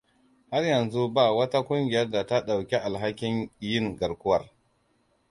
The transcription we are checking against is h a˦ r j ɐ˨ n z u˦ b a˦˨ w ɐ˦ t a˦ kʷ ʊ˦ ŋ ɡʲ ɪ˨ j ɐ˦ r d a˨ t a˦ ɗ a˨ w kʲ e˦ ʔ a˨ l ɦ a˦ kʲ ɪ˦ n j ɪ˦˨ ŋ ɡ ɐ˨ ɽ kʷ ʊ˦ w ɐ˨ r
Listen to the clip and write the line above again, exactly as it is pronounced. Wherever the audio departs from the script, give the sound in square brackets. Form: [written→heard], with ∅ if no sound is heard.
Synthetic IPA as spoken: h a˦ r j ɐ˨ n z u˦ b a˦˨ w ɐ˦ t a˦ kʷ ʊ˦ ŋ ɡʲ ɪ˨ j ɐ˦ r d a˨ t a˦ ɗ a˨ w kʲ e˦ ʔ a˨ l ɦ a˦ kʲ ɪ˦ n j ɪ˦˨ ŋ ɡ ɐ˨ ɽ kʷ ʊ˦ w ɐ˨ r